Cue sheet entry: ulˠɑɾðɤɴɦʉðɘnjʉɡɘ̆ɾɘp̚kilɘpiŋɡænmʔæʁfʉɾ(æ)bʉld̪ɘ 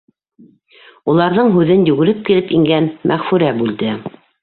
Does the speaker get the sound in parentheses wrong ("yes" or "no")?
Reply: no